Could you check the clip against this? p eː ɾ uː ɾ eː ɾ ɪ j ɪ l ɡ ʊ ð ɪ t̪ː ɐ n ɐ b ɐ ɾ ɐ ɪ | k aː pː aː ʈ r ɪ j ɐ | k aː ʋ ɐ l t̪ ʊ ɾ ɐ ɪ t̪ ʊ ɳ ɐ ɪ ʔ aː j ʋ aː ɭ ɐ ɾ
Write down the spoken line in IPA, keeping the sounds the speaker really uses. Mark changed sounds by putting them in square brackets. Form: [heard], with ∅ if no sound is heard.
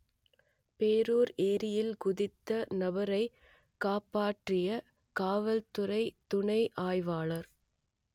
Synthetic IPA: p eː ɾ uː ɾ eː ɾ ɪ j ɪ l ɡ ʊ ð ɪ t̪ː ɐ n ɐ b ɐ ɾ ɐ ɪ | k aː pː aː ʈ r ɪ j ɐ | k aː ʋ ɐ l t̪ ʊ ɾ ɐ ɪ t̪ ʊ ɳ ɐ ɪ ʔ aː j ʋ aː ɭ ɐ ɾ